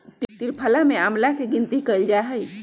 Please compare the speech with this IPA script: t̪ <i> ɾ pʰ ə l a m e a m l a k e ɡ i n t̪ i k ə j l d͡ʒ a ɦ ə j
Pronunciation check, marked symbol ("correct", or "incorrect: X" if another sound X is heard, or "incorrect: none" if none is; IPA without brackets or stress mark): correct